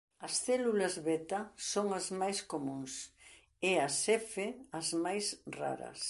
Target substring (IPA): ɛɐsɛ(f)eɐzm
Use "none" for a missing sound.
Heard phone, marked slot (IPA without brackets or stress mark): f